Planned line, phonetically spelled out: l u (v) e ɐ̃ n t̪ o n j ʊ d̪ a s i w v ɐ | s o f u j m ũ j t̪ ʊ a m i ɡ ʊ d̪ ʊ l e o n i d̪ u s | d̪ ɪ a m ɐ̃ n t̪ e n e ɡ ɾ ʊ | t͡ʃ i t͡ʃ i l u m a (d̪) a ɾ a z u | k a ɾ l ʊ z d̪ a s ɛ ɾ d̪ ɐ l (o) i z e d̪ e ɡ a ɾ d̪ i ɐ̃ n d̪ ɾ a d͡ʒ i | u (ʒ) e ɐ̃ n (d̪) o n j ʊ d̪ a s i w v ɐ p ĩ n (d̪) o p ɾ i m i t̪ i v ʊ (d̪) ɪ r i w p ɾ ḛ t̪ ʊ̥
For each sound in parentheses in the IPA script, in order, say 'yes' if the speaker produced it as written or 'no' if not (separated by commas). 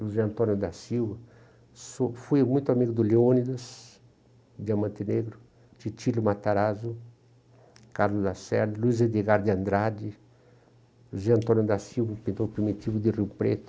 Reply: no, no, no, no, no, no, yes